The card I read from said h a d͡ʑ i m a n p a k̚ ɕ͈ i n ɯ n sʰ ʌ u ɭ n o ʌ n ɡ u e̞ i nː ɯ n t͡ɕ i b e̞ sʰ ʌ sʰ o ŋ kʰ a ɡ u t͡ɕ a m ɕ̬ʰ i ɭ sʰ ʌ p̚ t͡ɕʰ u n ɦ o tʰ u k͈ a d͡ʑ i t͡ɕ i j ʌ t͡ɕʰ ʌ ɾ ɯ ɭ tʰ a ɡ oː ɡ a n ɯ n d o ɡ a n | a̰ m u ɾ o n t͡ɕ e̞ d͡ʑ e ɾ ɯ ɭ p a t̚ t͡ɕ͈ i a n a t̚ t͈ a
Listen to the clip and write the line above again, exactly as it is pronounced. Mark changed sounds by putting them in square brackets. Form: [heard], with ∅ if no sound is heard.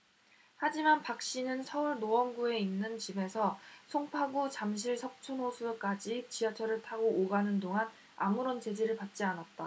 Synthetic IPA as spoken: h a d͡ʑ i m a n p a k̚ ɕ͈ i n ɯ n sʰ ʌ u ɭ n o ʌ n ɡ u e̞ i nː ɯ n t͡ɕ i b e̞ sʰ ʌ sʰ o ŋ [pʰ] a ɡ u t͡ɕ a m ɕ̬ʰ i ɭ sʰ ʌ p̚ t͡ɕʰ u n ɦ o [sʰ] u k͈ a d͡ʑ i t͡ɕ i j ʌ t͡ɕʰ ʌ ɾ ɯ ɭ tʰ a ɡ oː ɡ a n ɯ n d o [ŋ] a n | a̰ m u ɾ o n t͡ɕ e̞ d͡ʑ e ɾ ɯ ɭ p a t̚ t͡ɕ͈ i a n a t̚ t͈ a